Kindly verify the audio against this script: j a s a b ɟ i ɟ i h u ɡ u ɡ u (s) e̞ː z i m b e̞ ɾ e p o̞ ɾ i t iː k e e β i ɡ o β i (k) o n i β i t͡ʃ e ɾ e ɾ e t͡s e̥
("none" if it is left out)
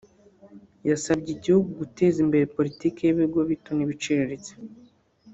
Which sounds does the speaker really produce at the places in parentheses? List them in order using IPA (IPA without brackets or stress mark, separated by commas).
t, t